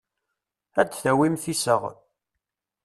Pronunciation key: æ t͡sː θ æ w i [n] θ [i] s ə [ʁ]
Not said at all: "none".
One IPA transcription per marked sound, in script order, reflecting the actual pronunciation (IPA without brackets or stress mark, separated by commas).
m, i, ʁ